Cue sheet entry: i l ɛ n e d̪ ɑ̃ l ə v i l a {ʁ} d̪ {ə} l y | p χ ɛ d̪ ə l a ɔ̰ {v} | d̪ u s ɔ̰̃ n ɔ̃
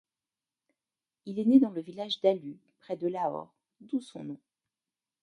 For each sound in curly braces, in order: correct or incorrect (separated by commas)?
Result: incorrect, incorrect, incorrect